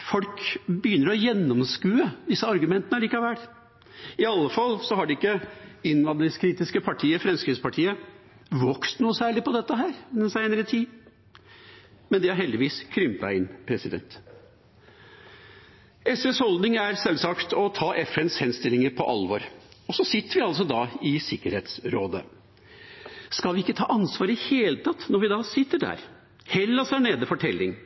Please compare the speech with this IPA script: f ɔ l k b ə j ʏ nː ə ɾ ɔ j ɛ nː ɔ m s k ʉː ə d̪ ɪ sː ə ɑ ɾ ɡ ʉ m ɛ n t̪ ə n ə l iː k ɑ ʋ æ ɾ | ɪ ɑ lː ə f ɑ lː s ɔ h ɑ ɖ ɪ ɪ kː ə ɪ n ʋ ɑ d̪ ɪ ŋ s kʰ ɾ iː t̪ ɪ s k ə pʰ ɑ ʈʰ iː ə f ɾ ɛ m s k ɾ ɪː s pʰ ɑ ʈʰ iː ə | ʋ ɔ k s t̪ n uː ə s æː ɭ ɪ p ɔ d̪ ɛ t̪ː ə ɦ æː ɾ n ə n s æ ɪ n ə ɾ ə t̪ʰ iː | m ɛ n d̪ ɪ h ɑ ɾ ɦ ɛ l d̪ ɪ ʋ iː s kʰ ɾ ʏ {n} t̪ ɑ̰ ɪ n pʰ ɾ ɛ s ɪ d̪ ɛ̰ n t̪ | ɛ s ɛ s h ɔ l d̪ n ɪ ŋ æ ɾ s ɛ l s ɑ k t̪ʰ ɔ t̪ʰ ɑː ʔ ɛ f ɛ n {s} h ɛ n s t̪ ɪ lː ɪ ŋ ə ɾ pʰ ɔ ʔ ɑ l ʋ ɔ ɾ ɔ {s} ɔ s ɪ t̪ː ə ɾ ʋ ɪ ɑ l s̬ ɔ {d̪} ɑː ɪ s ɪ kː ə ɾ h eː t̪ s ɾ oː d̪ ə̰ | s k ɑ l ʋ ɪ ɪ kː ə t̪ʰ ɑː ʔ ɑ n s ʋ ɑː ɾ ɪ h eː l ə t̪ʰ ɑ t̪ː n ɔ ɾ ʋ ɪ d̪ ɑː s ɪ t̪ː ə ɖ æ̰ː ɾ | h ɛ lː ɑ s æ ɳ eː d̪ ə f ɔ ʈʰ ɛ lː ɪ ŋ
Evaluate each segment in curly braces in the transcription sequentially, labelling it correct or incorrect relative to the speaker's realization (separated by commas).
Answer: incorrect, correct, correct, correct